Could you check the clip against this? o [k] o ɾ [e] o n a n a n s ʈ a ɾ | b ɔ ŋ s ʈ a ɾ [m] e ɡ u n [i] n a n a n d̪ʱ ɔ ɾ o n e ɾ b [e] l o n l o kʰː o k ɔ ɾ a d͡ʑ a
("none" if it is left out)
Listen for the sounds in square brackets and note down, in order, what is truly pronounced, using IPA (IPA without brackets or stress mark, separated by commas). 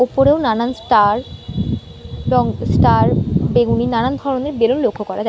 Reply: p, e, b, i, e